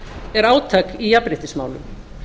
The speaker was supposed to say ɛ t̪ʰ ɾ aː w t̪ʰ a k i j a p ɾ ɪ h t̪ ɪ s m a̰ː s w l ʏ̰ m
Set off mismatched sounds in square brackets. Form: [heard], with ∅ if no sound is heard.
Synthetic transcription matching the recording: ɛ [∅] ɾ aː w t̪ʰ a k i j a p ɾ ɪ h t̪ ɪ s m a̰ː [∅] w l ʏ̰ m